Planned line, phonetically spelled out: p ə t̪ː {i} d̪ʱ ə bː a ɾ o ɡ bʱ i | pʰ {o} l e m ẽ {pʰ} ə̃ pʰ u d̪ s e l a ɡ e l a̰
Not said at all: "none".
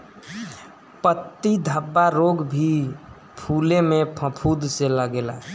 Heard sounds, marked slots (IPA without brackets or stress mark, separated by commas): i, u, pʰ